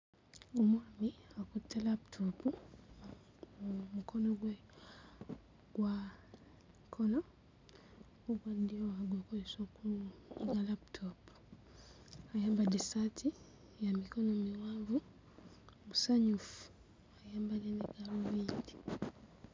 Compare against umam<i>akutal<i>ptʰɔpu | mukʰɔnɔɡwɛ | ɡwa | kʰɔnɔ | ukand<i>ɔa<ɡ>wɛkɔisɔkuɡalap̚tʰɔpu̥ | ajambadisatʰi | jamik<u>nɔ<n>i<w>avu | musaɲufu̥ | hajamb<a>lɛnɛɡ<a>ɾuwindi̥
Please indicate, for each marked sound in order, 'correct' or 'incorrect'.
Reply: correct, incorrect, correct, correct, incorrect, incorrect, correct, correct, correct

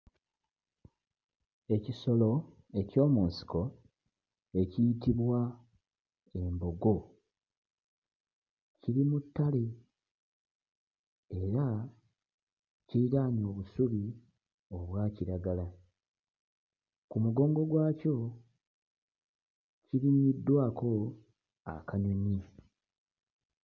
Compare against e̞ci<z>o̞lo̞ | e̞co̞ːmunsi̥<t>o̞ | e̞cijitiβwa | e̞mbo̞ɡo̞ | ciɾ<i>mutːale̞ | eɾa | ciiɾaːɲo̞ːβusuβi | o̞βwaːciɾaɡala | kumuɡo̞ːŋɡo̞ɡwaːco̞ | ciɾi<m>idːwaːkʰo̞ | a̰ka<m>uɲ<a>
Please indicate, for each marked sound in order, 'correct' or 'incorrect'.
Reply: incorrect, incorrect, correct, incorrect, incorrect, incorrect

